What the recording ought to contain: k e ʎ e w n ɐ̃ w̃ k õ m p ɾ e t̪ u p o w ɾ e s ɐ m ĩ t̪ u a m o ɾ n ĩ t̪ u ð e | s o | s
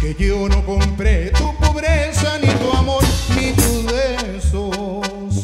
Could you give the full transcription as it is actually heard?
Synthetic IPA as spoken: k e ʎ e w n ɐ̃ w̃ k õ m p ɾ e t̪ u p o β ɾ e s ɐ n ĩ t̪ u a m o ɾ n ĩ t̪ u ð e | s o | s